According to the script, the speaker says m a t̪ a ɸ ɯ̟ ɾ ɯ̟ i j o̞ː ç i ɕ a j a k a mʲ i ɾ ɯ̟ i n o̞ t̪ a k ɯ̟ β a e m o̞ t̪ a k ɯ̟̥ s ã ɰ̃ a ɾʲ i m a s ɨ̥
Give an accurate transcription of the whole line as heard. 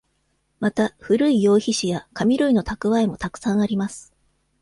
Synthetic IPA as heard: m a t̪ a ɸ ɯ̟ ɾ ɯ̟ i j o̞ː ç i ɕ i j a k a mʲ i ɾ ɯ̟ i n o̞ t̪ a k ɯ̟ β a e m o̞ t̪ a k ɯ̟̥ s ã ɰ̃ a ɾʲ i m a s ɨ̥